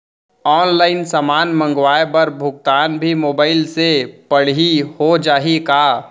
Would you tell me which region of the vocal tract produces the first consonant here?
tongue tip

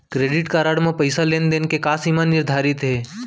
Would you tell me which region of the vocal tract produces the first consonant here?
velum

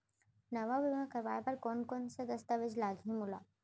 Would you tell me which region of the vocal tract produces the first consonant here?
tongue tip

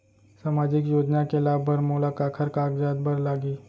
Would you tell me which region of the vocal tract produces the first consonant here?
tongue tip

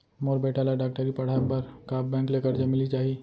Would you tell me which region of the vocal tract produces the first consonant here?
lips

